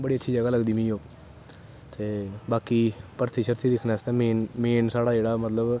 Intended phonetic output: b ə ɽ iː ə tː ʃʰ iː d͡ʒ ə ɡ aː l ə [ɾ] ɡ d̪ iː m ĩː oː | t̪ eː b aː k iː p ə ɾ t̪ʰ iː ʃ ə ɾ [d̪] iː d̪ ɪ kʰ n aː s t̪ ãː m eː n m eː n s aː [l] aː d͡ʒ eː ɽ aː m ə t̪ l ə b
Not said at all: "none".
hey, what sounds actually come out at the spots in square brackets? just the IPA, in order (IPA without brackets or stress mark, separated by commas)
none, t̪, ɽ